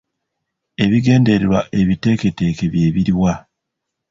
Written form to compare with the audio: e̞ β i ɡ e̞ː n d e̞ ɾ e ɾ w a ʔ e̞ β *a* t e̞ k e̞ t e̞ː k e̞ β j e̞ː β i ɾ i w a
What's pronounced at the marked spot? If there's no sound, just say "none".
i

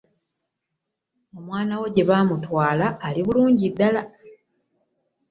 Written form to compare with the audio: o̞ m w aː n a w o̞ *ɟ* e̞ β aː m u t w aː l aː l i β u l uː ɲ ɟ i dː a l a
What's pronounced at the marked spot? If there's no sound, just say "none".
ɟ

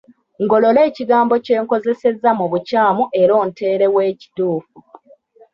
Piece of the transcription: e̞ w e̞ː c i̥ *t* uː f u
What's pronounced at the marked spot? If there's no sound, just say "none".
t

